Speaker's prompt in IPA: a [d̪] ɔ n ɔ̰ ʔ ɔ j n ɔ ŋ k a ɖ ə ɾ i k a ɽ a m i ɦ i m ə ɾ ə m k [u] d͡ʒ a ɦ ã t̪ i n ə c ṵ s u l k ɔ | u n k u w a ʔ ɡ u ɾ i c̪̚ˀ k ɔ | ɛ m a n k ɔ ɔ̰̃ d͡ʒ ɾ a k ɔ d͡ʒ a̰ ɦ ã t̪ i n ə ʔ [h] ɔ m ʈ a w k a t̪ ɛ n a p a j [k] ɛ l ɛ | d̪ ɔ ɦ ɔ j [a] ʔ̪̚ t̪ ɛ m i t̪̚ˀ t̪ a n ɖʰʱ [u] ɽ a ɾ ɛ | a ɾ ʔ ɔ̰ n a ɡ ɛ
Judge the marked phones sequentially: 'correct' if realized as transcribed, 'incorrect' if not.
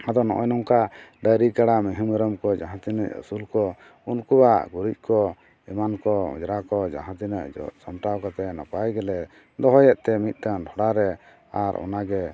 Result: correct, incorrect, incorrect, incorrect, incorrect, incorrect

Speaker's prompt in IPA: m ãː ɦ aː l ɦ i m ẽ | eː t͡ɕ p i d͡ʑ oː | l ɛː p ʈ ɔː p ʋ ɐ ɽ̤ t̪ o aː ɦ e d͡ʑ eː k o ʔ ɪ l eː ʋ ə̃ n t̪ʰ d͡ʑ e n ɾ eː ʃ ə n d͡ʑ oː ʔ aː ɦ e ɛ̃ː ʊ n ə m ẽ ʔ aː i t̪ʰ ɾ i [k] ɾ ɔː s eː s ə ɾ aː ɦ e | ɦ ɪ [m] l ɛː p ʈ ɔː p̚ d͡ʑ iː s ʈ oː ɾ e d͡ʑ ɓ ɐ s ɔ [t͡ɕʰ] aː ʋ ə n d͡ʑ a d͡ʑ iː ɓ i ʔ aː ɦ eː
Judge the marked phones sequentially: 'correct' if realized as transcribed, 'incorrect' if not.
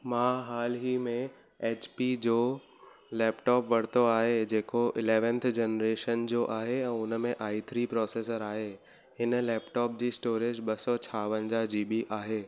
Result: incorrect, incorrect, correct

